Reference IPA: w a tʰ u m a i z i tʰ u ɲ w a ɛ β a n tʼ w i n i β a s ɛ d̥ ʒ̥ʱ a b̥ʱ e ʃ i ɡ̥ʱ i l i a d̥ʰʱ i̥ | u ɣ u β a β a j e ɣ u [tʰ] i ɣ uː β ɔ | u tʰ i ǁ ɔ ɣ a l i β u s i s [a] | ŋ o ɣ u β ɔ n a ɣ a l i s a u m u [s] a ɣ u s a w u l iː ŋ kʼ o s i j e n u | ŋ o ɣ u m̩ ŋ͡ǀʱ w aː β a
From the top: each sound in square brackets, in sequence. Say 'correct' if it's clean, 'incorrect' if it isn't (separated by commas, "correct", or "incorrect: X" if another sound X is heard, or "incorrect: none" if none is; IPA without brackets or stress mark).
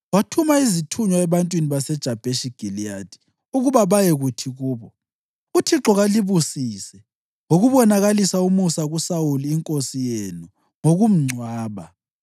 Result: correct, incorrect: ɛ, correct